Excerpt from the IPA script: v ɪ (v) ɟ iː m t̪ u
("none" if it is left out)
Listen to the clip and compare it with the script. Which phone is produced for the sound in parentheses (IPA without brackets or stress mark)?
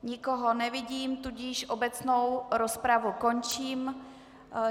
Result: none